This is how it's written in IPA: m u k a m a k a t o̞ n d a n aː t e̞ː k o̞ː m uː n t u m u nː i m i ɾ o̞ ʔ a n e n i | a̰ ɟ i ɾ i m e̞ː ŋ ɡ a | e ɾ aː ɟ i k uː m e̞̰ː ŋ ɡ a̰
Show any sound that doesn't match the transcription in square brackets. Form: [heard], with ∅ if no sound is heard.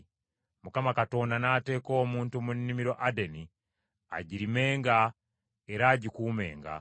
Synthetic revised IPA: m u k a m a k a t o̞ n d a n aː t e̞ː k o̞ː m uː n t u m u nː i m i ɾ o̞ ʔ a [d] e n i | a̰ ɟ i ɾ i m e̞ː ŋ ɡ a | e ɾ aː ɟ i k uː m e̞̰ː ŋ ɡ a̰